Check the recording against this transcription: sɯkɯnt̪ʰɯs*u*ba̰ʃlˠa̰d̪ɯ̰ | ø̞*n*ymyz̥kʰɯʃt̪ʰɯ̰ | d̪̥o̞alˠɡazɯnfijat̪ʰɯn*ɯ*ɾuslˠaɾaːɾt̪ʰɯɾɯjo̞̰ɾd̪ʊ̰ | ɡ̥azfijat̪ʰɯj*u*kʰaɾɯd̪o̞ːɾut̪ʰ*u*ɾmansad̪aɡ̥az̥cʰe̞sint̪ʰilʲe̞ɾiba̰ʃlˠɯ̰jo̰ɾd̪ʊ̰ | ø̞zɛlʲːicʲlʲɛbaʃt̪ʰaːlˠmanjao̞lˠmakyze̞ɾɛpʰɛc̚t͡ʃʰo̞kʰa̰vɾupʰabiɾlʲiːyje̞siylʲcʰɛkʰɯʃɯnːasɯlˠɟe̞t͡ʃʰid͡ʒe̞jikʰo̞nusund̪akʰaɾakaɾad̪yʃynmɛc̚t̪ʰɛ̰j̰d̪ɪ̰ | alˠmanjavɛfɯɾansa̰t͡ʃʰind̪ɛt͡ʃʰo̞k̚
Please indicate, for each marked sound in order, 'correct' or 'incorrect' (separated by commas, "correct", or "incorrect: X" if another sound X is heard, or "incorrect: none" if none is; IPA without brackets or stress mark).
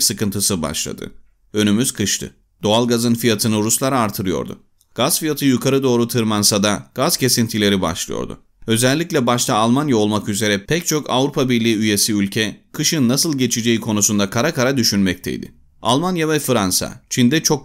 incorrect: ɯ, correct, correct, correct, incorrect: ɯ